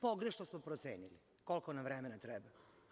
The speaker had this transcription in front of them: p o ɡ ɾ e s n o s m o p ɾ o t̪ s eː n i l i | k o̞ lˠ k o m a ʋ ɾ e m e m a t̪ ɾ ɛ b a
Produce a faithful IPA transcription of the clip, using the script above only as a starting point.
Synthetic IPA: p o ɡ ɾ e ʃ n o s m o p ɾ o t̪ s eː n i l i | k o̞ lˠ k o n a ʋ ɾ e m e n a t̪ ɾ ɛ b a